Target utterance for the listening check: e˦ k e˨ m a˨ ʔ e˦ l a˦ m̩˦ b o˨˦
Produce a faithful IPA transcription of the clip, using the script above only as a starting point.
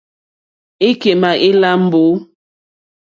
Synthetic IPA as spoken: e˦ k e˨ m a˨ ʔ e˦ l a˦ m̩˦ b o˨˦